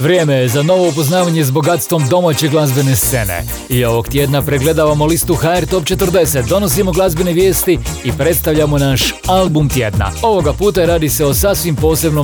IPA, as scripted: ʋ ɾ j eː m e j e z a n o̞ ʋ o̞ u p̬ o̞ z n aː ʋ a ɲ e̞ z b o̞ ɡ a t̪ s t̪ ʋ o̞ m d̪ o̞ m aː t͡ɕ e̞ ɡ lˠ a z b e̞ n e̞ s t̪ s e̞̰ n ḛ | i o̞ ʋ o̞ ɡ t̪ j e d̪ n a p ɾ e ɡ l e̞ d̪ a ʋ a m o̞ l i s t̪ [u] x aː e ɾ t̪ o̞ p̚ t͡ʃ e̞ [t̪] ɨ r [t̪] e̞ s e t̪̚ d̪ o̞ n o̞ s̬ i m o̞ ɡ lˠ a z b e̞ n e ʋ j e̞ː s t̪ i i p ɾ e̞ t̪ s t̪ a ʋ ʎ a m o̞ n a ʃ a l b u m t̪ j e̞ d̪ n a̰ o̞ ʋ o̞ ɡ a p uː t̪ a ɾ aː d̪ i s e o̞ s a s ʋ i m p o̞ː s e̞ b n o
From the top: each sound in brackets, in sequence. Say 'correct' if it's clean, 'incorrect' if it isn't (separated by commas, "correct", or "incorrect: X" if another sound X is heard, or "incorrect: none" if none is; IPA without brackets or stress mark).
correct, correct, incorrect: d̪